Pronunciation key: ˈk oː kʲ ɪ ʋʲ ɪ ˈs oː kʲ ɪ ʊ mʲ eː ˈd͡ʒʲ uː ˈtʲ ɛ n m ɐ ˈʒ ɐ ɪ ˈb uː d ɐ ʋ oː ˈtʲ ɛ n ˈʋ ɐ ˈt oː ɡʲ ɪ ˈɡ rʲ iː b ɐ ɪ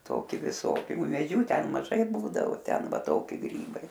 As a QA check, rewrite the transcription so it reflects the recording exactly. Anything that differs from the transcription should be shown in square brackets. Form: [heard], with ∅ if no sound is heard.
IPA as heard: [ˈt] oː kʲ ɪ ʋʲ ɪ ˈs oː kʲ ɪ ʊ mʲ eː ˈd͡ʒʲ uː ˈtʲ ɛ n m ɐ ˈʒ ɐ ɪ ˈb uː d ɐ ʋ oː ˈtʲ ɛ n ˈʋ ɐ ˈt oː [kʲ] ɪ ˈɡ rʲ iː b ɐ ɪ